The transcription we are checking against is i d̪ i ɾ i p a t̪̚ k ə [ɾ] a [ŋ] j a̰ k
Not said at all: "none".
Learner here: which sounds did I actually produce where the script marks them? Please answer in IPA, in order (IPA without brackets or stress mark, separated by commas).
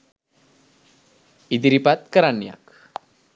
ɾ, n